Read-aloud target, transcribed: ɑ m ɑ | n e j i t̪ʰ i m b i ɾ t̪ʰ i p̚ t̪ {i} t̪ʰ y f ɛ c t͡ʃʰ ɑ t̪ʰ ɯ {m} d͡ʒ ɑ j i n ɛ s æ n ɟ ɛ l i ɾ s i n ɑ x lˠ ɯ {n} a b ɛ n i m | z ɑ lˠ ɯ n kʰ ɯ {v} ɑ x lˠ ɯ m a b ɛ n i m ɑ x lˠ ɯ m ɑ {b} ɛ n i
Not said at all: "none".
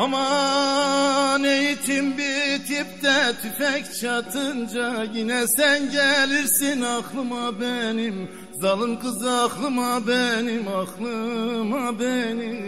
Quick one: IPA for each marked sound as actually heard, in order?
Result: ɛ, n, m, z, b

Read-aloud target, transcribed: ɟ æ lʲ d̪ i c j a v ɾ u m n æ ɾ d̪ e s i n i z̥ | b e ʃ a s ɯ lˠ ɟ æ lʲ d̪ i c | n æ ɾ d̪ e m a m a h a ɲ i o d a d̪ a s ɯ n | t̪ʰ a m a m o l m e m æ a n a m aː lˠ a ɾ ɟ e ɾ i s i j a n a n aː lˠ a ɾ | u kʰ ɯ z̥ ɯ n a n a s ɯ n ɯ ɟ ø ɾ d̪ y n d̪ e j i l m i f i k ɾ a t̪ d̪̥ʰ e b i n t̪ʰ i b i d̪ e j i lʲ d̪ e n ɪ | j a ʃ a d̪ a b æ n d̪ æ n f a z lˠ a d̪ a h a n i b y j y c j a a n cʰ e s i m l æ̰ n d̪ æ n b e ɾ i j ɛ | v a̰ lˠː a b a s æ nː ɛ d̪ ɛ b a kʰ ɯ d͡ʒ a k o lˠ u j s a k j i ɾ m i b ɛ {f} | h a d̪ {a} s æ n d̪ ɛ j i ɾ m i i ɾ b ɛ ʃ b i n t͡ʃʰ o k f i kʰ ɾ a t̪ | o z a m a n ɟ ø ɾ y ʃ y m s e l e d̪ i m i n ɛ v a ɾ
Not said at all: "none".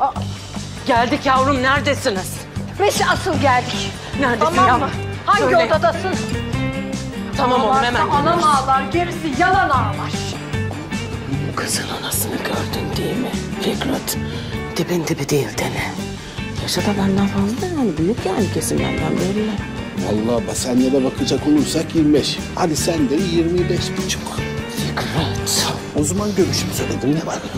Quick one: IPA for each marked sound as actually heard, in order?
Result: ʃ, i

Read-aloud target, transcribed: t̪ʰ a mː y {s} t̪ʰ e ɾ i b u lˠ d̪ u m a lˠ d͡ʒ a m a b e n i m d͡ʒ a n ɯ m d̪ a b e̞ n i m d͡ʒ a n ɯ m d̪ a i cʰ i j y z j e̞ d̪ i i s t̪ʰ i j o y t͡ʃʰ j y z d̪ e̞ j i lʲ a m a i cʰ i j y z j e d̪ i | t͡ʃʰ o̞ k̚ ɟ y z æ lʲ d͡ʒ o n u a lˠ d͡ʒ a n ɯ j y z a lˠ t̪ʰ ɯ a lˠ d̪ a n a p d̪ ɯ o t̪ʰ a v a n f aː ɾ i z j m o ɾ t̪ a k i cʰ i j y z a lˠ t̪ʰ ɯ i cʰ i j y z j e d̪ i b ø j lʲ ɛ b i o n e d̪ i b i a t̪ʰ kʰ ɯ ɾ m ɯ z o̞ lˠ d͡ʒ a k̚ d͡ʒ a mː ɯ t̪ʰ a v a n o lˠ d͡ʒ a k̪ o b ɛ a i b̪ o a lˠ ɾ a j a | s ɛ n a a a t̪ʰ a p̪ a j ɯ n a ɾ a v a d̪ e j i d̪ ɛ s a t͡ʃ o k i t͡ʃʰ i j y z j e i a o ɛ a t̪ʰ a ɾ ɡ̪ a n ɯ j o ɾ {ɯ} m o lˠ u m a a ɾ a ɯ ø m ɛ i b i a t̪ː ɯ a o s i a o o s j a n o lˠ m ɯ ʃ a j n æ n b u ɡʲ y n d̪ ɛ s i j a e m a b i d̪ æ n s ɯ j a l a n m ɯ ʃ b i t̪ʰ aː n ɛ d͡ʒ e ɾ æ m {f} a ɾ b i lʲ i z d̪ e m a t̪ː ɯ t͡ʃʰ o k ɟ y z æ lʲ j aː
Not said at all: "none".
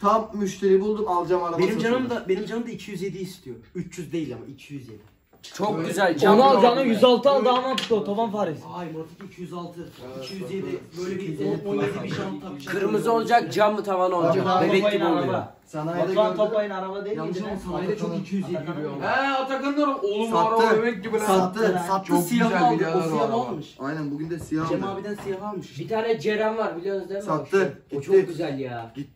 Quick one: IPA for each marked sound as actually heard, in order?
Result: ʃ, u, v

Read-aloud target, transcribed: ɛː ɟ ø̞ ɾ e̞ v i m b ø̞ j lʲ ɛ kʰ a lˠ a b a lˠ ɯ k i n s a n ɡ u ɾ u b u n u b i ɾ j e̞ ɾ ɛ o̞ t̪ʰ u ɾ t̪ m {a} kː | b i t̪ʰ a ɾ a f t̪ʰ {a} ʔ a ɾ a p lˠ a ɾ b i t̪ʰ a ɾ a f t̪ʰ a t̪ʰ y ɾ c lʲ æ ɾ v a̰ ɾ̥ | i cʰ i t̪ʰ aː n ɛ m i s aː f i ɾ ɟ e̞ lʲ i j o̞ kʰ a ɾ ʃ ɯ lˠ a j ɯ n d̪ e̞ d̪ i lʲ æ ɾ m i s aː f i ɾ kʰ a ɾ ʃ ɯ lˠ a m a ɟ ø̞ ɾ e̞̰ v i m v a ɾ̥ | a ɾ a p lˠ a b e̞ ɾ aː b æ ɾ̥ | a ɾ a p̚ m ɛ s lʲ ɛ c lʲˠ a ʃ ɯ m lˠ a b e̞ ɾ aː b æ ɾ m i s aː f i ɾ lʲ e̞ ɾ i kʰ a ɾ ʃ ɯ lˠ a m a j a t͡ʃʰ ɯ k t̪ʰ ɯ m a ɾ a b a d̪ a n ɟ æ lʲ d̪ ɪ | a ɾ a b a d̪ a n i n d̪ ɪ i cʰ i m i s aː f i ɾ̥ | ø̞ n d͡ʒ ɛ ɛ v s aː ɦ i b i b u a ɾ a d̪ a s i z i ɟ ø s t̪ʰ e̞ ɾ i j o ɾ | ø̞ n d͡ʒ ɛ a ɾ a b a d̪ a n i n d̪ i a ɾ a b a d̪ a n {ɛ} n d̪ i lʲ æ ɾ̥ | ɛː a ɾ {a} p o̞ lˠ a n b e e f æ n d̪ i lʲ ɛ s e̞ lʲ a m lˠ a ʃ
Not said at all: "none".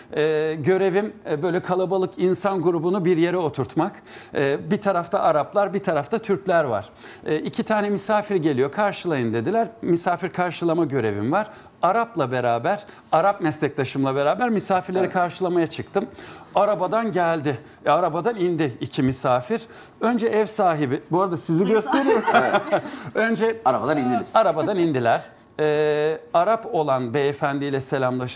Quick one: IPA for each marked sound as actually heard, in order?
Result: a, a, i, a

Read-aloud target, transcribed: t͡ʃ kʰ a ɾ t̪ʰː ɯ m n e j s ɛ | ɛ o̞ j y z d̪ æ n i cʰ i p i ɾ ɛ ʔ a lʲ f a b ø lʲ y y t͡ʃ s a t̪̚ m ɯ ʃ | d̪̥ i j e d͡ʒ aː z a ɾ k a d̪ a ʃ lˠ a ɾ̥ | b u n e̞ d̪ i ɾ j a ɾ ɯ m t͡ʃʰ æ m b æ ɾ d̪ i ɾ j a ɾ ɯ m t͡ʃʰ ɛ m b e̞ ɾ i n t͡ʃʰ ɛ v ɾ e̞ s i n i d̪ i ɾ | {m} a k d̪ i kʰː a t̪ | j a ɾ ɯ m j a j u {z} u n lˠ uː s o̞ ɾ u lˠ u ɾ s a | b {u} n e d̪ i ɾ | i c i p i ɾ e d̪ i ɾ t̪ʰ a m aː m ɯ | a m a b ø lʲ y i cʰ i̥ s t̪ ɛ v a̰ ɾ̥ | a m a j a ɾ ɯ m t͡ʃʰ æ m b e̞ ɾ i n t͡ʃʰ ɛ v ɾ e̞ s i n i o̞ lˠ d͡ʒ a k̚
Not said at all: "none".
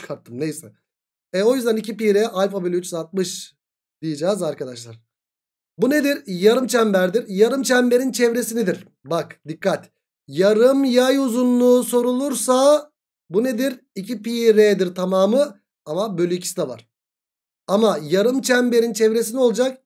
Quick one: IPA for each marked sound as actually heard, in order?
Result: b, z, u

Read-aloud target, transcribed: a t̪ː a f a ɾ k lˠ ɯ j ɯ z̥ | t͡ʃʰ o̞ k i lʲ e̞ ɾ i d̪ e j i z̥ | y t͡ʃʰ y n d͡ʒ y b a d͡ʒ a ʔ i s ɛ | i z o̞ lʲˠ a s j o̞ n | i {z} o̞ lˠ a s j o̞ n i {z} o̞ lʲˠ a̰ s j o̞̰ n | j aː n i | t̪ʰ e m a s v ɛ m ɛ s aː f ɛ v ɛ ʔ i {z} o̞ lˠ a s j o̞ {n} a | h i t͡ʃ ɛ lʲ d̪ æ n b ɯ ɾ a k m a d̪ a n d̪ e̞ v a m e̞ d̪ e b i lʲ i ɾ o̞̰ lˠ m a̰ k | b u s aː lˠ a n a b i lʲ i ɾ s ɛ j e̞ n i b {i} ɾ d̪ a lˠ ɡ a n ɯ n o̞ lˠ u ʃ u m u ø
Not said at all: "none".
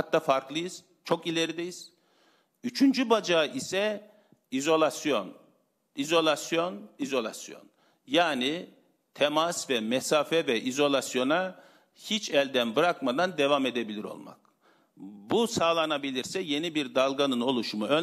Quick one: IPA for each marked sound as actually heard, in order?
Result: z, z, z, n, i

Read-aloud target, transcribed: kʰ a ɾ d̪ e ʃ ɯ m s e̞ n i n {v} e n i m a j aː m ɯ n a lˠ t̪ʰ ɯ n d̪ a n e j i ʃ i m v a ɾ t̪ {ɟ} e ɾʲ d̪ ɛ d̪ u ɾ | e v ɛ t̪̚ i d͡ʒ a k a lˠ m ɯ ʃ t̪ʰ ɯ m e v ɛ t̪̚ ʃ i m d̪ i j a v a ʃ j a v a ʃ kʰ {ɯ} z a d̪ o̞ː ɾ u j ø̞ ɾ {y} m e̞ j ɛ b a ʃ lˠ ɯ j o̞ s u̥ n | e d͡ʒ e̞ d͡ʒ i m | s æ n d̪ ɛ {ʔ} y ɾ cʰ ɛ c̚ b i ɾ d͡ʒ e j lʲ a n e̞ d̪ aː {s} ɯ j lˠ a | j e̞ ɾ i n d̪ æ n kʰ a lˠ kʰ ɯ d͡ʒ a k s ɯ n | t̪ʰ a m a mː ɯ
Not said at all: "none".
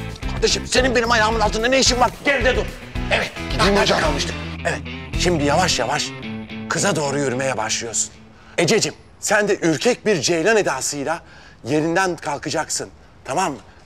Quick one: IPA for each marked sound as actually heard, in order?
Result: b, ɟ, ɯ, y, ʔ, s

